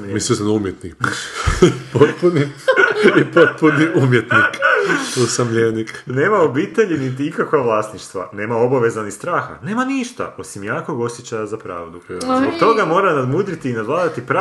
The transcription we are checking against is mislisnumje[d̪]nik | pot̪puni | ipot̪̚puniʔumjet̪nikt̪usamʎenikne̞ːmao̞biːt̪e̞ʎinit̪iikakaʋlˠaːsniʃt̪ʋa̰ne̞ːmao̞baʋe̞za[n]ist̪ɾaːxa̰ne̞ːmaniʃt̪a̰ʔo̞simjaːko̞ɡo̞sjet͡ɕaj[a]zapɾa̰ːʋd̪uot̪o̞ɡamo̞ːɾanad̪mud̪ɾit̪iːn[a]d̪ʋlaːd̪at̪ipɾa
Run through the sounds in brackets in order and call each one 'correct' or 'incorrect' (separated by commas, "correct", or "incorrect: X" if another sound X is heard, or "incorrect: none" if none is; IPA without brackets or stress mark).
incorrect: t̪, correct, correct, correct